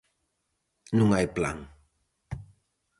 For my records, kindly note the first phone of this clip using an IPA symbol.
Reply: n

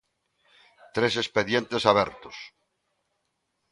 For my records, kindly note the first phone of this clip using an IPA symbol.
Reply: t̪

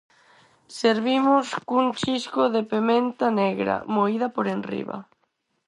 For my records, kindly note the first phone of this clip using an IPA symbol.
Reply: s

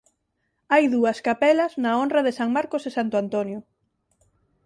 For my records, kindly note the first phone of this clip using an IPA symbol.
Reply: a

